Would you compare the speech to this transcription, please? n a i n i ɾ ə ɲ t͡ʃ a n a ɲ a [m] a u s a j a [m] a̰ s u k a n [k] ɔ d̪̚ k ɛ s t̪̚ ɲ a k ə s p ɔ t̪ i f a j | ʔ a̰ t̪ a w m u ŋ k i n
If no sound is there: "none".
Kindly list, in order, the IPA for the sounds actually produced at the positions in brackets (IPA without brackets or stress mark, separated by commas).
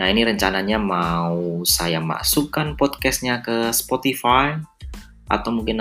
m, m, p